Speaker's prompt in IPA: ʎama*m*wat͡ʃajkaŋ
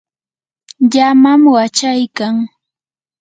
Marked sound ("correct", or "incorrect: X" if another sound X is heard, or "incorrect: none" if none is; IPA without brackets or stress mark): correct